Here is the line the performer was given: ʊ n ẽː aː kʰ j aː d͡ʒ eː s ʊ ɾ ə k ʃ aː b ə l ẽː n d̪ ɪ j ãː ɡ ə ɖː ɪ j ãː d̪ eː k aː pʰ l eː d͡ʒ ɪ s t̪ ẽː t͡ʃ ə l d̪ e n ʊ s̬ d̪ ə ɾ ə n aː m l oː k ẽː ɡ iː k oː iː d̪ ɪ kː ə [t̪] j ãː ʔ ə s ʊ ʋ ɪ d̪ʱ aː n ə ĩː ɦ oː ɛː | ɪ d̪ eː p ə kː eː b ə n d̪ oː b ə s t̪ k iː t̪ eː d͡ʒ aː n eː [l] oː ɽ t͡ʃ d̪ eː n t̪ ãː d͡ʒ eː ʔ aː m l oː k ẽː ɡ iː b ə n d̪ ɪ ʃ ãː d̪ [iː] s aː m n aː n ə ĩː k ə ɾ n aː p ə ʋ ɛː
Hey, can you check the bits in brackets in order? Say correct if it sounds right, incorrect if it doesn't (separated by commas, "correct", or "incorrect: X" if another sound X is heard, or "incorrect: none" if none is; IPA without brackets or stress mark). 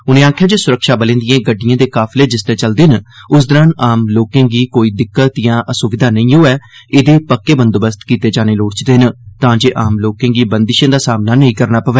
correct, correct, incorrect: aː